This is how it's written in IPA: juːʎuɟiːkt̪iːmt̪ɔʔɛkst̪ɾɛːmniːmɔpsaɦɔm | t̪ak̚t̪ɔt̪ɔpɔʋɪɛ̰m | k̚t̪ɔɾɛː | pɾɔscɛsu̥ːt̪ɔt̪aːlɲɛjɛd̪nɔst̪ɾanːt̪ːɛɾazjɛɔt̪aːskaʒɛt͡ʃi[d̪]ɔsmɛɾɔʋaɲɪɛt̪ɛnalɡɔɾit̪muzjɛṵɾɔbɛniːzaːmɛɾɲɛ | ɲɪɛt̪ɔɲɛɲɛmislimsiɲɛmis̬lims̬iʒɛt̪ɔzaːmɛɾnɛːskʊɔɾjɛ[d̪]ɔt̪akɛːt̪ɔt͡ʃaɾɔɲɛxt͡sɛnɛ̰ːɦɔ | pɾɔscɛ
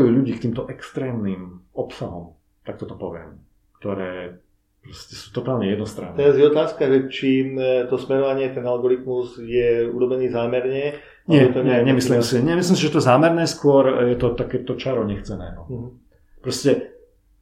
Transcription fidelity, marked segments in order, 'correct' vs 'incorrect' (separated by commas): incorrect, incorrect